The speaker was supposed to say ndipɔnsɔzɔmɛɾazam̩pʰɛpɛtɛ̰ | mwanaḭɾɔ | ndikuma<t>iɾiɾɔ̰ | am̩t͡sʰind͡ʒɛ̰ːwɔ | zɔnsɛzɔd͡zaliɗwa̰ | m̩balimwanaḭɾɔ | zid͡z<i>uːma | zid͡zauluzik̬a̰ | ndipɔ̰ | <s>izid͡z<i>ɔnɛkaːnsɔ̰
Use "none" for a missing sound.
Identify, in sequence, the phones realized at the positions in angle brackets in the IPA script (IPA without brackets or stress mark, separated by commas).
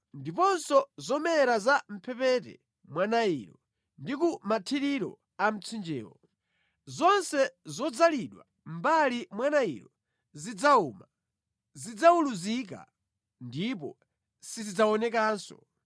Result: tʰ, a, s, a